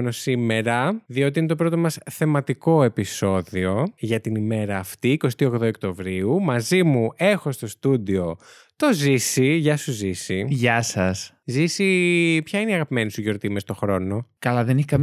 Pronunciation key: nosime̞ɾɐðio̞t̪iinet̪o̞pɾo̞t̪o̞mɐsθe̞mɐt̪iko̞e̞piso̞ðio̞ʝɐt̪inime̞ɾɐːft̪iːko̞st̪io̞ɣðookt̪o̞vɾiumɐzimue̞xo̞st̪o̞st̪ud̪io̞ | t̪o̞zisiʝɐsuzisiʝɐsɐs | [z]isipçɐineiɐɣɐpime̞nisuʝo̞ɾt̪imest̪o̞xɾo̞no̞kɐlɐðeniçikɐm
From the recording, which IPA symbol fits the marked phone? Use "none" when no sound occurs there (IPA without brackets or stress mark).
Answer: z